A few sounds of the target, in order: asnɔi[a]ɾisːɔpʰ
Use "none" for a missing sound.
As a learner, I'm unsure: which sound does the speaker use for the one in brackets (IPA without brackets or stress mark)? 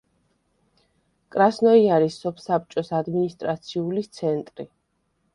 a